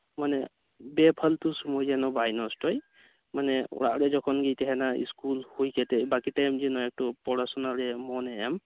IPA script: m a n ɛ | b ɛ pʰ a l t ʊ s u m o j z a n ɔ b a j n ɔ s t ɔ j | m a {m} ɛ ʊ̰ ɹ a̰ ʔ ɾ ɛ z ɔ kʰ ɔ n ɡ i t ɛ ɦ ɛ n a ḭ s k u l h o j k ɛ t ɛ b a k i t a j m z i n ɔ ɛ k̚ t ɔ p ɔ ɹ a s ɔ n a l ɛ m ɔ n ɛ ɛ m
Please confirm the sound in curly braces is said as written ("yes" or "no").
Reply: no